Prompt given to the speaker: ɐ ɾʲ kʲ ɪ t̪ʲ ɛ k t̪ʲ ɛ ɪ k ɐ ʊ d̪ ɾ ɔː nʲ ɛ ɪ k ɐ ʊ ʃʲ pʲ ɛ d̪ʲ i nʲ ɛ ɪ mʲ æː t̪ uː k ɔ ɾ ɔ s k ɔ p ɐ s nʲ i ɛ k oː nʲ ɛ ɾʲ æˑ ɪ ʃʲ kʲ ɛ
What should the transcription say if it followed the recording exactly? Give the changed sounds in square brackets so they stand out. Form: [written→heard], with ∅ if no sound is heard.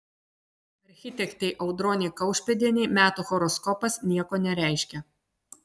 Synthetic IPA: ɐ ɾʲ [kʲ→xʲ] ɪ t̪ʲ ɛ k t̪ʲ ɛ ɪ [k→ʔ] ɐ ʊ d̪ ɾ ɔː nʲ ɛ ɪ k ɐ ʊ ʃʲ pʲ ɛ d̪ʲ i nʲ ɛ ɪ mʲ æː t̪ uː [k→x] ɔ ɾ ɔ s k ɔ p ɐ s nʲ i ɛ k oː nʲ ɛ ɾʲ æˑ ɪ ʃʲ kʲ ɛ

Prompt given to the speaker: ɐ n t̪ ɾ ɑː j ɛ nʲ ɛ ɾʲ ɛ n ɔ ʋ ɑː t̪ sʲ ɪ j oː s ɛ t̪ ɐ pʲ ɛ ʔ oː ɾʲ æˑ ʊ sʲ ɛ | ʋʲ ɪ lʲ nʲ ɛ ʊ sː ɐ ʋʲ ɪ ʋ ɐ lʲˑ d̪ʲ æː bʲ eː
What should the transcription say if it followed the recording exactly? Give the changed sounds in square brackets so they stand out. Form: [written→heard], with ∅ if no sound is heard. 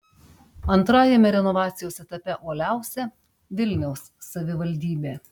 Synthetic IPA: ɐ n t̪ ɾ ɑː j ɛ [nʲ→mʲ] ɛ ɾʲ ɛ n ɔ ʋ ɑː t̪ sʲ ɪ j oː s ɛ t̪ ɐ pʲ ɛ ʔ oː [ɾʲ→lʲ] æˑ ʊ sʲ ɛ | ʋʲ ɪ lʲ nʲ ɛ ʊ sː ɐ ʋʲ ɪ ʋ ɐ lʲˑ d̪ʲ [æː→iː] bʲ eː

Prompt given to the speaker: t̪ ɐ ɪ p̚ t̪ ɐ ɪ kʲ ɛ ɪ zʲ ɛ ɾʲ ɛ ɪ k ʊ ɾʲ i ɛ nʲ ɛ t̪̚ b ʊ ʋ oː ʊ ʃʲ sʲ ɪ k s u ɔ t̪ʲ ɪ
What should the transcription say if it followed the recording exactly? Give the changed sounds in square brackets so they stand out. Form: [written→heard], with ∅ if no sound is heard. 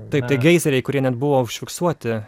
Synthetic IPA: t̪ ɐ ɪ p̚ t̪ ɐ ɪ [kʲ→ɡʲ] ɛ ɪ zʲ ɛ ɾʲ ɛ ɪ k ʊ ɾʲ i ɛ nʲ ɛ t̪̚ b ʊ ʋ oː ʊ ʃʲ [sʲ→fʲ] ɪ k s u ɔ t̪ʲ ɪ

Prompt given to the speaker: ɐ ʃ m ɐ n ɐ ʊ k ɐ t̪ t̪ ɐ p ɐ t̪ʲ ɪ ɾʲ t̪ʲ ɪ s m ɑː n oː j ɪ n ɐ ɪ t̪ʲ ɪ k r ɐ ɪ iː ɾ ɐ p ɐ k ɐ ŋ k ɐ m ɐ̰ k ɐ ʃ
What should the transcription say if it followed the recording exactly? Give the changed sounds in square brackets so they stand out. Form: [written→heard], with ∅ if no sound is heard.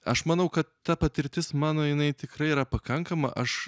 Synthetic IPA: ɐ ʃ m ɐ n ɐ ʊ k ɐ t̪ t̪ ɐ p ɐ t̪ʲ ɪ ɾʲ t̪ʲ ɪ s m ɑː n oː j ɪ n ɐ ɪ t̪ʲ ɪ k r ɐ ɪ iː ɾ ɐ p ɐ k ɐ ŋ k ɐ m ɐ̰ [k→ʔ] ɐ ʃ

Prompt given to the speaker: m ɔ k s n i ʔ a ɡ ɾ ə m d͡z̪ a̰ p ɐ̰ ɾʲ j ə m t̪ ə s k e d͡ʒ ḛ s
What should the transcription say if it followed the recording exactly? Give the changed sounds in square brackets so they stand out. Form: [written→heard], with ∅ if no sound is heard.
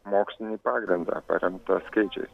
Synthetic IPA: m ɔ k s n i [ʔ→p] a ɡ ɾ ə [m→n] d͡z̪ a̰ p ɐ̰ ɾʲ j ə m t̪ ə s k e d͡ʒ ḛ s

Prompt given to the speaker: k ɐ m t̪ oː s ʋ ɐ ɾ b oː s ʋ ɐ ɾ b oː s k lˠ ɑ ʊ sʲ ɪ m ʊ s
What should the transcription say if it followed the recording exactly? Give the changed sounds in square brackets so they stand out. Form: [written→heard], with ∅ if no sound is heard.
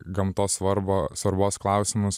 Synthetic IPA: [k→ɡ] ɐ m t̪ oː s ʋ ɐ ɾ b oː s ʋ ɐ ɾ b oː s k lˠ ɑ ʊ sʲ ɪ m ʊ s

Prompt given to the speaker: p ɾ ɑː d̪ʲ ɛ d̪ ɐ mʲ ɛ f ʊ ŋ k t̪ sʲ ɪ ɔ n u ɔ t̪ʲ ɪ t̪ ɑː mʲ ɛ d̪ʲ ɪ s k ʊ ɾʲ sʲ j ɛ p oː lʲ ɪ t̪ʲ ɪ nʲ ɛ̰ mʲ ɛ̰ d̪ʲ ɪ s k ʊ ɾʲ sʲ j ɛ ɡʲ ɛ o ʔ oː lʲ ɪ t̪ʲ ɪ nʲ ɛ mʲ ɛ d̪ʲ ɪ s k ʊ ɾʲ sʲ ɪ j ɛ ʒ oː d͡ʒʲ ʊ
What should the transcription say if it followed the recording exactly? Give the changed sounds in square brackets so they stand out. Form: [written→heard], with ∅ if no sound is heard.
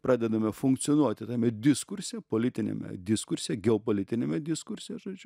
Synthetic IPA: p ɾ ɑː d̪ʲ ɛ d̪ ɐ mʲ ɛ f ʊ ŋ k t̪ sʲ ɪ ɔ n u ɔ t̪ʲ ɪ t̪ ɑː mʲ ɛ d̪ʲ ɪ s k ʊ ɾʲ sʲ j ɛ p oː lʲ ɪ t̪ʲ ɪ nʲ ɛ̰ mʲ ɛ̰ d̪ʲ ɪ s k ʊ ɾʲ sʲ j ɛ ɡʲ ɛ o [ʔ→p] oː lʲ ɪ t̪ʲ ɪ nʲ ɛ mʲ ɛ d̪ʲ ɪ s k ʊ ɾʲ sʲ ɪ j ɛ ʒ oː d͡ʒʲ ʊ

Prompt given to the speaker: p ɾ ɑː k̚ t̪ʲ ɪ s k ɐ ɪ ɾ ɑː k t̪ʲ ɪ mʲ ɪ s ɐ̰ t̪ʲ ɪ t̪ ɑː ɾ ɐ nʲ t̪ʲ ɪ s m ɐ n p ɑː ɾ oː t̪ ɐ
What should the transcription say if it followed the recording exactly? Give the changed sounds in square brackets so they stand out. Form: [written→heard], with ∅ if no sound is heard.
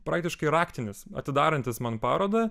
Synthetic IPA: p ɾ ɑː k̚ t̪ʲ ɪ [s→ʃ] k ɐ ɪ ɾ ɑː k t̪ʲ ɪ [mʲ→nʲ] ɪ s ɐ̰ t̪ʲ ɪ [t̪→d̪] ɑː ɾ ɐ nʲ t̪ʲ ɪ s m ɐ n p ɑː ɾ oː [t̪→d̪] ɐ

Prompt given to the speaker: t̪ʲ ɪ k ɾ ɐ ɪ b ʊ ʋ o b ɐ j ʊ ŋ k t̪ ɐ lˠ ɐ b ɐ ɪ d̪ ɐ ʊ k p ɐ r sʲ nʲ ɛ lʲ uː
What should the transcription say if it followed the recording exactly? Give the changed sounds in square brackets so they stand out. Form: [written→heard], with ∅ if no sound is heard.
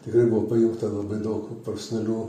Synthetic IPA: t̪ʲ ɪ k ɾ ɐ ɪ b ʊ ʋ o [b→p] ɐ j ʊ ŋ k t̪ ɐ lˠ ɐ b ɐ ɪ d̪ ɐ ʊ k p ɐ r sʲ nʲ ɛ lʲ uː

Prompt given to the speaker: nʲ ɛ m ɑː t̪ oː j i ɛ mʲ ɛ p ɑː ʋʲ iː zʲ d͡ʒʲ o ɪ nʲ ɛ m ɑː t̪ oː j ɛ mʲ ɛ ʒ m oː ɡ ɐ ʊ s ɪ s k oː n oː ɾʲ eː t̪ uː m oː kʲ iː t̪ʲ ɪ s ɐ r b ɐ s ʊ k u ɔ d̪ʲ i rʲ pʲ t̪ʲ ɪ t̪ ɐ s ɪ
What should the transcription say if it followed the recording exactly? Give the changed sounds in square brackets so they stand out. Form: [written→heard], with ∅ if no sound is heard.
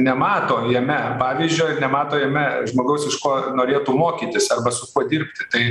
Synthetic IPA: nʲ ɛ m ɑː t̪ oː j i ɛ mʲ ɛ p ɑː ʋʲ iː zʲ d͡ʒʲ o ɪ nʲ ɛ m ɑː t̪ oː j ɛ mʲ ɛ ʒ m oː ɡ ɐ ʊ s ɪ [s→ʃ] k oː n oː ɾʲ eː t̪ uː m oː kʲ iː t̪ʲ ɪ s ɐ r b ɐ s ʊ k u ɔ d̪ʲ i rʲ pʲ t̪ʲ ɪ t̪ ɐ [s→∅] ɪ

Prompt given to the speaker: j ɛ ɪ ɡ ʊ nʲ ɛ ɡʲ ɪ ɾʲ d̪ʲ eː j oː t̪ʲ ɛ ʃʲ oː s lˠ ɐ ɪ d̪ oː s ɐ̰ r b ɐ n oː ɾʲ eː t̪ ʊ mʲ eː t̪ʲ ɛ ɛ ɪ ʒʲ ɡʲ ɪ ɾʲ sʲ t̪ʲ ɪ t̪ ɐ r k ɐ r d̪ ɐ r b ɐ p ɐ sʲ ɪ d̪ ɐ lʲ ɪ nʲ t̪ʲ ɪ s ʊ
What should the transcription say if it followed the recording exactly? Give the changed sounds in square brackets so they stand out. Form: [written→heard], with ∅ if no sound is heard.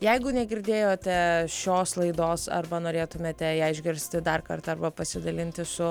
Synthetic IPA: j ɛ ɪ ɡ ʊ nʲ ɛ ɡʲ ɪ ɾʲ d̪ʲ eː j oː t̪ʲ ɛ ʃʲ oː s lˠ ɐ ɪ d̪ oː s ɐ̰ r b ɐ n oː ɾʲ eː t̪ ʊ mʲ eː t̪ʲ ɛ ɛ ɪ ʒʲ ɡʲ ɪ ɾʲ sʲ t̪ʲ ɪ [t̪→d̪] ɐ r k ɐ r [d̪→t̪] ɐ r b ɐ p ɐ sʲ ɪ d̪ ɐ lʲ ɪ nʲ t̪ʲ ɪ s ʊ

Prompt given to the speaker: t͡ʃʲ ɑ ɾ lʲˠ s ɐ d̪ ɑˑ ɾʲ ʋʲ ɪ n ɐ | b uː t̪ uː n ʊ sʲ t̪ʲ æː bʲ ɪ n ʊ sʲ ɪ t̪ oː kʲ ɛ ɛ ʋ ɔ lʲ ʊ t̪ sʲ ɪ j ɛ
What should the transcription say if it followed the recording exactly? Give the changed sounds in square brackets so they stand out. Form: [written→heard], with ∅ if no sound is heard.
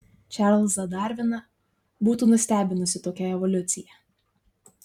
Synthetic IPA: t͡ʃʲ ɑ ɾ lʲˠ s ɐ d̪ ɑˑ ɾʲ ʋʲ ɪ n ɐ | b uː t̪ uː n ʊ sʲ t̪ʲ æː bʲ ɪ n ʊ sʲ ɪ t̪ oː kʲ ɛ ɛ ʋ ɔ lʲ ʊ t̪ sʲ ɪ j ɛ

